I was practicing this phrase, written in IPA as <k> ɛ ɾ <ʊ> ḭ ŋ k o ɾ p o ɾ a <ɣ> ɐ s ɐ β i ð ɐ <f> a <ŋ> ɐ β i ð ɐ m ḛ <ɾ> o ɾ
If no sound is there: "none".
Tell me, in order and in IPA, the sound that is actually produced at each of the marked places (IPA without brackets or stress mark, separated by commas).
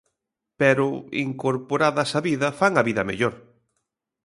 p, ʊ, ð, f, ŋ, ʎ